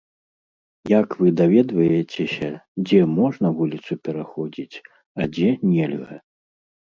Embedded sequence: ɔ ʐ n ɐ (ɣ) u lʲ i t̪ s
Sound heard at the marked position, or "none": v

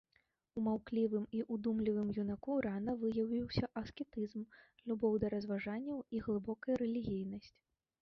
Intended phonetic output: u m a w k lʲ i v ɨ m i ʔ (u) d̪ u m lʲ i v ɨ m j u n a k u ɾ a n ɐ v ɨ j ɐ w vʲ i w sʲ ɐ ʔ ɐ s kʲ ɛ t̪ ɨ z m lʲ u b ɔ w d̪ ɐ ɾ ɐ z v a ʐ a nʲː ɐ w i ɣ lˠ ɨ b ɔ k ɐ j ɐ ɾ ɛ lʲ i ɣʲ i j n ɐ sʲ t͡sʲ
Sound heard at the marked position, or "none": u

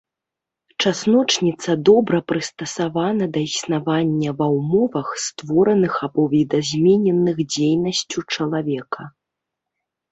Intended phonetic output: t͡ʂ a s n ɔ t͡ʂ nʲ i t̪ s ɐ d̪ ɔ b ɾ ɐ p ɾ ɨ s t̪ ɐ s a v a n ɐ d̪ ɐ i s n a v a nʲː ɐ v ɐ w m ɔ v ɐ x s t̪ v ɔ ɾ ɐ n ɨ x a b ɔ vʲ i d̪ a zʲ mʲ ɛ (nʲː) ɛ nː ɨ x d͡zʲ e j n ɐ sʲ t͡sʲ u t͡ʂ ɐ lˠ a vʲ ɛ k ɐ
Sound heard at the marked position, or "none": nʲ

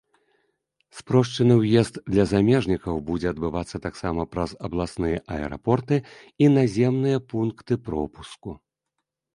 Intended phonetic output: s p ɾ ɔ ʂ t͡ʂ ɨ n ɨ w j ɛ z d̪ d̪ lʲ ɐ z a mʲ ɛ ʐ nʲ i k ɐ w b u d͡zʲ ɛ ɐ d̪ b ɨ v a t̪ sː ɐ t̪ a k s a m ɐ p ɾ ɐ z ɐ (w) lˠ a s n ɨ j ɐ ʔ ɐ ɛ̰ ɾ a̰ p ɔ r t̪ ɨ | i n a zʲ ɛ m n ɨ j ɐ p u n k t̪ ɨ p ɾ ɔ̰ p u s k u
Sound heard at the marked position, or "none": b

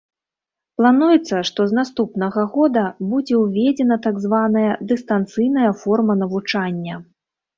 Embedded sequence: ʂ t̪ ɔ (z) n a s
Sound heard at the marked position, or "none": z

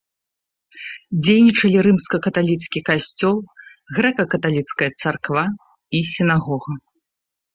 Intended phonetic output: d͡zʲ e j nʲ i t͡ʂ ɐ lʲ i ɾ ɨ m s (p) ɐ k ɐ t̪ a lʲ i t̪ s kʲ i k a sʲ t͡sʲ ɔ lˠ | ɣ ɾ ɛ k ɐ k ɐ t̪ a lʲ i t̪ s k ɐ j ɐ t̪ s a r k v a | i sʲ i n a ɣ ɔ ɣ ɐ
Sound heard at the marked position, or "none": k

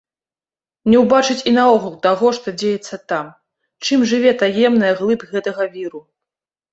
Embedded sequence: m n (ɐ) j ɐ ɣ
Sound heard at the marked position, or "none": ɐ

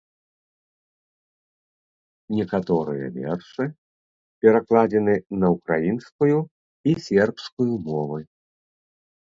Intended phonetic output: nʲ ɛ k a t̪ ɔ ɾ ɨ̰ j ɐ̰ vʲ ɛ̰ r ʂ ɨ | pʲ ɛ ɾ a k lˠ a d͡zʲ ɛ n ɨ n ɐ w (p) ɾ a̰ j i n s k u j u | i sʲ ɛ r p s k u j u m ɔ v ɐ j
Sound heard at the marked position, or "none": k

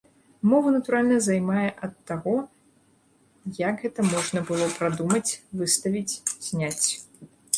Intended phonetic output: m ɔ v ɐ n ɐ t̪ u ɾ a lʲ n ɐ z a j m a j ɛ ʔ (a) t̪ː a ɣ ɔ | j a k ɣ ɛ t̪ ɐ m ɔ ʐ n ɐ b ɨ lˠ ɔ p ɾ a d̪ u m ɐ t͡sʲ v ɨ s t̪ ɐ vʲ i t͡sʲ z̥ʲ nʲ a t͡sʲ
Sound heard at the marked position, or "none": ɐ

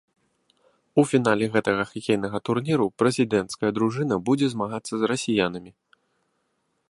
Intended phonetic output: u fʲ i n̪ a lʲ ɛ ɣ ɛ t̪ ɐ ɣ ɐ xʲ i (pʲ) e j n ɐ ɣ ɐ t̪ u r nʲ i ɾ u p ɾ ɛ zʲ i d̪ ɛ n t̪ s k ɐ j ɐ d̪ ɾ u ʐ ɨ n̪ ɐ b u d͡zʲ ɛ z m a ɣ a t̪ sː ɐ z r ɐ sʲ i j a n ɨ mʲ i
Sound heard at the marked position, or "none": kʲ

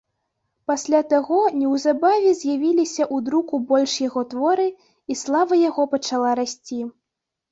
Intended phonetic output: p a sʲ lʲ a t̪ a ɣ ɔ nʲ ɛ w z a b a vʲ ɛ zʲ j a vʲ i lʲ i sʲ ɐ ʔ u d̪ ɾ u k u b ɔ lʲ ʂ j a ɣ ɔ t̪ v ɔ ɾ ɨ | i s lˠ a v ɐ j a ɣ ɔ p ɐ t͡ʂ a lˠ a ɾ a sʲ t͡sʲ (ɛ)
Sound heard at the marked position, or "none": i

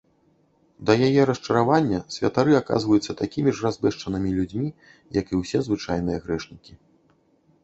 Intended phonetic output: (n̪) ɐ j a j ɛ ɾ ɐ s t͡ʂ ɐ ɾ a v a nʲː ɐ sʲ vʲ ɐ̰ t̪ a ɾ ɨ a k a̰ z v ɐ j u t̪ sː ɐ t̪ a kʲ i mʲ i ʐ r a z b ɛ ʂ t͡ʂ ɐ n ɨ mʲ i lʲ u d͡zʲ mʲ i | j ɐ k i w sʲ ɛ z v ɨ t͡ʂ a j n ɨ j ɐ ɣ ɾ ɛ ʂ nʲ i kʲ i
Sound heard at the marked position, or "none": d̪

